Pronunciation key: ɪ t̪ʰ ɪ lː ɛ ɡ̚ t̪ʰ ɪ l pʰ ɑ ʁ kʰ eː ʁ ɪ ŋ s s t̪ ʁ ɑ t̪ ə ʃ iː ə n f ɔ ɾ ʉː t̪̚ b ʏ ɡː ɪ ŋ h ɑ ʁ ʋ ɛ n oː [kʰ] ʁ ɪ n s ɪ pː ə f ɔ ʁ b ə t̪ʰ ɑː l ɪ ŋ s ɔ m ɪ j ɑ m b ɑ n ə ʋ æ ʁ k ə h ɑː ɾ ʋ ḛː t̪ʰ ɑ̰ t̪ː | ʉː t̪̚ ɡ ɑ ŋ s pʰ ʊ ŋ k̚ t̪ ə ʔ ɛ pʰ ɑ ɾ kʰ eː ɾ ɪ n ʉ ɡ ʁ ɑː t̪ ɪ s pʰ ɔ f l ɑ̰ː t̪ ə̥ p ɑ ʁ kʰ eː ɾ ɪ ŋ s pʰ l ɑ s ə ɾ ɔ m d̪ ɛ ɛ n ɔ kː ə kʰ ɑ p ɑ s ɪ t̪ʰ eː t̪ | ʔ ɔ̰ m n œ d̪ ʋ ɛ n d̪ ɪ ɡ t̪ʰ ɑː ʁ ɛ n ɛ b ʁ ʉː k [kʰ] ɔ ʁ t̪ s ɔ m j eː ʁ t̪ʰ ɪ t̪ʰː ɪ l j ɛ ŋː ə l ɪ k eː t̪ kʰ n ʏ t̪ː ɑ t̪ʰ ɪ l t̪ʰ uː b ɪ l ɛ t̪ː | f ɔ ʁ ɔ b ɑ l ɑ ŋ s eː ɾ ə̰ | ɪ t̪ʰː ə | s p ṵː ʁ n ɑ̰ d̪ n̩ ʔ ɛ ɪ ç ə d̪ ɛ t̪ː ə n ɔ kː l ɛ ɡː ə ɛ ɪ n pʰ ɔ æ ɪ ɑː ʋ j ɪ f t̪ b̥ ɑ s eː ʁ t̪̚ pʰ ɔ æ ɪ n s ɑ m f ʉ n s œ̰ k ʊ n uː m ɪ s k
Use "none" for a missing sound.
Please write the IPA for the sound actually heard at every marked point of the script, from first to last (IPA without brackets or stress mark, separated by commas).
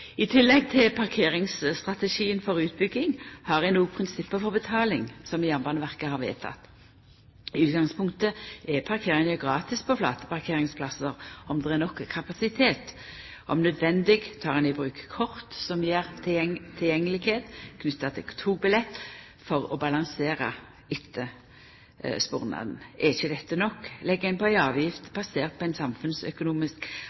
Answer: pʰ, kʰ